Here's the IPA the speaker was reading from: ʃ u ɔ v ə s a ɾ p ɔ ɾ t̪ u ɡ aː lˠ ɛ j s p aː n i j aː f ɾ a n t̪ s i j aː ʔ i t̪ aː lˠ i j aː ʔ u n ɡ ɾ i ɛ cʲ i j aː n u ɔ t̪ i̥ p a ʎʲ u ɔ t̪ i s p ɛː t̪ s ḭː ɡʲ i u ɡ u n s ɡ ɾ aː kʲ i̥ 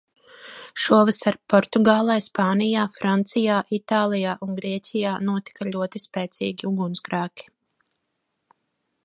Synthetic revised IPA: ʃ u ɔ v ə s a ɾ p ɔ ɾ t̪ u ɡ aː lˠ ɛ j s p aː n i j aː f ɾ a n t̪ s i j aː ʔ i t̪ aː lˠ i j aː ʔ u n ɡ ɾ i ɛ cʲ i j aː n u ɔ t̪ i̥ k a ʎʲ u ɔ t̪ i s p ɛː t̪ s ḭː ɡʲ i u ɡ u n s ɡ ɾ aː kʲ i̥

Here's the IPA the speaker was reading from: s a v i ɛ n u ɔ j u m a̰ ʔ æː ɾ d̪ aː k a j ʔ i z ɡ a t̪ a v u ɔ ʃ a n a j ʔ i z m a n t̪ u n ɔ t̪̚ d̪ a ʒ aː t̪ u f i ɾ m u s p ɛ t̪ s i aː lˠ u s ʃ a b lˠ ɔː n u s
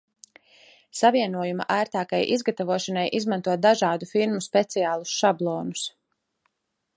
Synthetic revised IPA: s a v i ɛ n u ɔ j u m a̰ ʔ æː ɾ t̪ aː k a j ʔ i z ɡ a t̪ a v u ɔ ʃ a n a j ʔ i z m a n t̪ u ɔ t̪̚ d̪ a ʒ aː d̪ u f i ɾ m u s p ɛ t̪ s i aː lˠ u s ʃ a b lˠ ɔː n u s

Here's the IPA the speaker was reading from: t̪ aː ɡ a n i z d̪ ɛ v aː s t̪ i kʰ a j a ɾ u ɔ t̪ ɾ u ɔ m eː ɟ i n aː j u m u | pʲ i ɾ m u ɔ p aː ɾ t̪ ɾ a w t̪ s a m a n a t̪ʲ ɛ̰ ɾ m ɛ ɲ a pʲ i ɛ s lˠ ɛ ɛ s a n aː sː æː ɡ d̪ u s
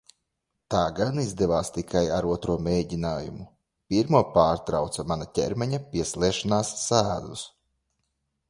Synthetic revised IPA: t̪ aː ɡ a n i z d̪ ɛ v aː s t̪ i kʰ a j a ɾ u ɔ t̪ ɾ u ɔ m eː ɟ i n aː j u m u | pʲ i ɾ m u ɔ p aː ɾ t̪ ɾ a w t̪ s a m a n a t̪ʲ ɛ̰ ɾ m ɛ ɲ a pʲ i ɛ s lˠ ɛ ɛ ʃ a n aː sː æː d̪ u s

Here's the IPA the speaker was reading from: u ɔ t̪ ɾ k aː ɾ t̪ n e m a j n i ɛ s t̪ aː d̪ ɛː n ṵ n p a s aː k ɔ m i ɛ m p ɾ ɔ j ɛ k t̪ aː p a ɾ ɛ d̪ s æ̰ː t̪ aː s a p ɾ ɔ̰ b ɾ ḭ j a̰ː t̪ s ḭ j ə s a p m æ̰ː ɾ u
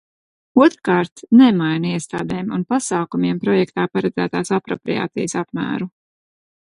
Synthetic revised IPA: u ɔ t̪ ɾ k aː ɾ t̪ n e m a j n i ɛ s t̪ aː d̪ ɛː m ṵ n p a s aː k u m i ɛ m p ɾ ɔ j ɛ k t̪ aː p a ɾ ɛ d̪ z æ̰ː t̪ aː s a p ɾ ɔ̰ p ɾ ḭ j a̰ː t̪ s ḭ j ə s a p m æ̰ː ɾ u

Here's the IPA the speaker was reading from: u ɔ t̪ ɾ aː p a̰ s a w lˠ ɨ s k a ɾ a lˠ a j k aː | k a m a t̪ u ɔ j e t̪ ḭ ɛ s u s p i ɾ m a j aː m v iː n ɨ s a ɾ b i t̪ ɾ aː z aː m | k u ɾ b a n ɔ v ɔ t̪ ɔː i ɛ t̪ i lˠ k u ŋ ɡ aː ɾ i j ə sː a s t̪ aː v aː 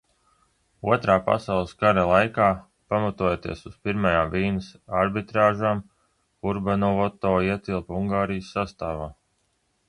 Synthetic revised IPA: u ɔ t̪ ɾ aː p a̰ s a w lˠ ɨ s k a ɾ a lˠ a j k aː | p a m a t̪ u ɔ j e t̪ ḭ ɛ s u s p i ɾ m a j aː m v iː n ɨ s a ɾ b i t̪ ɾ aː ʒ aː m | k u ɾ b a n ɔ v ɔ t̪ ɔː i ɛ t̪ i lˠ p u ŋ ɡ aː ɾ i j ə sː a s t̪ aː v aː

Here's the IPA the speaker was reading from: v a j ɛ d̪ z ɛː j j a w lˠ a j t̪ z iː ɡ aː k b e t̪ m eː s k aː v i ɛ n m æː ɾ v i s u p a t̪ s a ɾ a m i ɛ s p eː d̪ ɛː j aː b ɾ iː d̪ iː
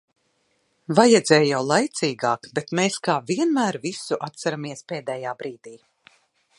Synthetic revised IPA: v a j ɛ d̪ z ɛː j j a w lˠ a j t̪ s iː ɡ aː k b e t̪ m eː s k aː v i ɛ n m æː ɾ v i s u ʔ a t̪ s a ɾ a m i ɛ s p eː d̪ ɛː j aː b ɾ iː d̪ iː

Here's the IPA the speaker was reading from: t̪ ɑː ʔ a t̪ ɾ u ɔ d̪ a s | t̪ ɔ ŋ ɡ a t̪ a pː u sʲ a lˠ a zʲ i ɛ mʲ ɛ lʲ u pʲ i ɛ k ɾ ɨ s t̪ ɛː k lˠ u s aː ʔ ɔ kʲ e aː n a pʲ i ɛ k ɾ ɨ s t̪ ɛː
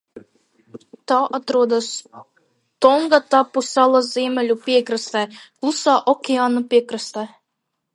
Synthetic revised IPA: t̪ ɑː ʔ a t̪ ɾ u ɔ d̪ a s | t̪ ɔ ŋ ɡ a t̪ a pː u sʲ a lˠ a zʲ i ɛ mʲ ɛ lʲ u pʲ i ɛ k ɾ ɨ s t̪ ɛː k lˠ u s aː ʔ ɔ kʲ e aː n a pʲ i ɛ k ɾ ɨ s t̪ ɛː

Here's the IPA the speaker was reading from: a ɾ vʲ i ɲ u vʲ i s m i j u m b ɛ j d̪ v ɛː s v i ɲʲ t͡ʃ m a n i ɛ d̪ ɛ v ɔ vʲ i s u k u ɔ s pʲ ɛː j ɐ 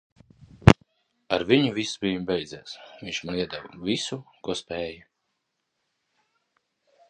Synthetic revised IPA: a ɾ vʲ i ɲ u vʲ i s b i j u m b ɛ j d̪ z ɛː s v i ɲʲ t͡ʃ m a n i ɛ d̪ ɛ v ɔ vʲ i s u k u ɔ s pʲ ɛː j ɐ

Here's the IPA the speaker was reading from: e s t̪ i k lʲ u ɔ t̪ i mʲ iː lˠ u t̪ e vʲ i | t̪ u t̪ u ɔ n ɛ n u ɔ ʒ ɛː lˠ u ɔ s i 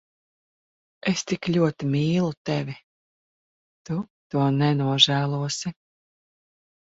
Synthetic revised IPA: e s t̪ i k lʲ u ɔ t̪ i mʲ iː lˠ u t̪ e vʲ i | t̪ u t̪ u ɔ n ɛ n u ɔ ʒ æː lˠ u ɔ s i

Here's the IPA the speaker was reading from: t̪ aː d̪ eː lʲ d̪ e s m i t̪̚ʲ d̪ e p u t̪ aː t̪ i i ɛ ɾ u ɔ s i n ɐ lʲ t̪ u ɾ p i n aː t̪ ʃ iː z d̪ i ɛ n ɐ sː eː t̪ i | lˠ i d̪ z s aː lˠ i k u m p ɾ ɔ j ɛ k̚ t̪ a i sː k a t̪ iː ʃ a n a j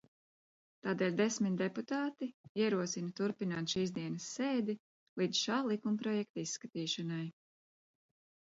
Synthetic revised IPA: t̪ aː d̪ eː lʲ d̪ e s m i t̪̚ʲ d̪ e p u t̪ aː t̪ i i ɛ ɾ u ɔ s i n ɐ t̪ u ɾ p i n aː t̪ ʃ iː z d̪ i ɛ n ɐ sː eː d̪ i | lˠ i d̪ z ʃ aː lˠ i k u m p ɾ ɔ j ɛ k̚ t̪ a i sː k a t̪ iː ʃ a n a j

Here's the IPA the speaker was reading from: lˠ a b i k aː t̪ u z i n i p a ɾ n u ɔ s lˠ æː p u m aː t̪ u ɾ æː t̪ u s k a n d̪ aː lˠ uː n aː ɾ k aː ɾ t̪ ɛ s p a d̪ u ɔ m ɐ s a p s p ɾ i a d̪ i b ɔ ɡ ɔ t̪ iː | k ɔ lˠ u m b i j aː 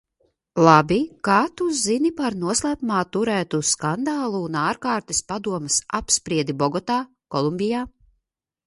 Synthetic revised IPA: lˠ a b i k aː t̪ u z i n i p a ɾ n u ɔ s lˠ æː p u m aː t̪ u ɾ æː t̪ u s k a n d̪ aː lˠ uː n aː ɾ k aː ɾ t̪ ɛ s p a d̪ u ɔ m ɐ s a p s p ɾ i ɛ d̪ i b ɔ ɡ ɔ t̪ aː | k ɔ lˠ u m b i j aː

